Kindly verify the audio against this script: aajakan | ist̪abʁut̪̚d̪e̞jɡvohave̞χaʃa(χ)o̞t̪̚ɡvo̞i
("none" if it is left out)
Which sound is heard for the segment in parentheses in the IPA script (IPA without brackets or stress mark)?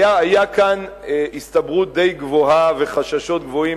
ʃ